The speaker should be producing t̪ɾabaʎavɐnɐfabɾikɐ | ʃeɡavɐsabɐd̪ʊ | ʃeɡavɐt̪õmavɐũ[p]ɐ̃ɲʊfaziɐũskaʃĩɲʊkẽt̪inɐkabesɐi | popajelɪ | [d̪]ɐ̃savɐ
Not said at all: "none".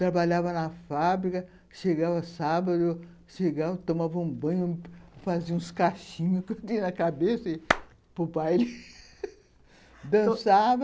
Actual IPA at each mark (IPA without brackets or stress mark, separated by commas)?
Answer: b, d̪